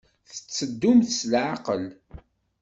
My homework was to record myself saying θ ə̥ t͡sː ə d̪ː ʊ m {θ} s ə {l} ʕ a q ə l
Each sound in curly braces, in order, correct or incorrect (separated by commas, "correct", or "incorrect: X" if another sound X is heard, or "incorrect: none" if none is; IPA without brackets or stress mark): correct, correct